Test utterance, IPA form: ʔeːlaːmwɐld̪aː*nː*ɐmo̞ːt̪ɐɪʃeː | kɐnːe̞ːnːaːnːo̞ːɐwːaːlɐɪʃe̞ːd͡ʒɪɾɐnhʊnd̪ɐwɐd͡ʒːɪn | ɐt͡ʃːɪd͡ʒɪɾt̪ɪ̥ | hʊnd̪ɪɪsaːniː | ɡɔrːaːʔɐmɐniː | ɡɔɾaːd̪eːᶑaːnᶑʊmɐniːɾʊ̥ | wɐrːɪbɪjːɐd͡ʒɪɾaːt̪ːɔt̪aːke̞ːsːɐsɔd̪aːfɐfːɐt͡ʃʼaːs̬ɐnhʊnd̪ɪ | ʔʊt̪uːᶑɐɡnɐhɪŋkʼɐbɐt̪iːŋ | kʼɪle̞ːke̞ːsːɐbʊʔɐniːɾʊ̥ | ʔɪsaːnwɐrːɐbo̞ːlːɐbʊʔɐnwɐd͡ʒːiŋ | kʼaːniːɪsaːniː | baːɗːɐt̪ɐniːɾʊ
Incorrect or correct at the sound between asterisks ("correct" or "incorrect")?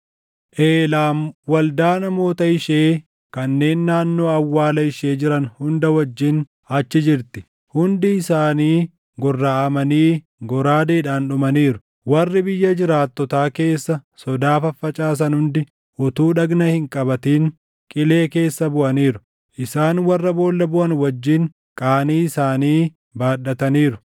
incorrect